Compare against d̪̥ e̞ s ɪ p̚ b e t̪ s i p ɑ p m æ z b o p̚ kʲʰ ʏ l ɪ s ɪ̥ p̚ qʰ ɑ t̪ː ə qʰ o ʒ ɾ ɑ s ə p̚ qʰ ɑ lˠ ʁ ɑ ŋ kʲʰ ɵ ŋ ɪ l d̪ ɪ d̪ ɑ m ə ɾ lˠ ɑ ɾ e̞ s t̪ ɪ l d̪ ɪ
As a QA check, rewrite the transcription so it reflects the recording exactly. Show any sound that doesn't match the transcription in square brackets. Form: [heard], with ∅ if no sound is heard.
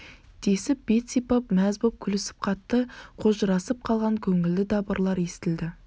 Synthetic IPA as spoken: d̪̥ e̞ s ɪ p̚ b e t̪ s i p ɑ p m æ z b o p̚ kʲʰ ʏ l ɪ s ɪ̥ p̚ qʰ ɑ t̪ː ə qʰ o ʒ ɾ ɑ s ə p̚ qʰ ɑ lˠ ʁ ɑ ŋ kʲʰ ɵ ŋ ɪ l d̪ ɪ d̪ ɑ [b] ə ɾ lˠ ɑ ɾ e̞ s t̪ ɪ l d̪ ɪ